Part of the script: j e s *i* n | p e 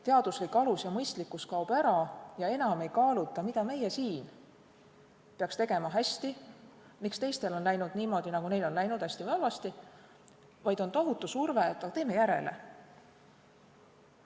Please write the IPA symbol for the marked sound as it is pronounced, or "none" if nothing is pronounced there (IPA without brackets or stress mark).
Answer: iː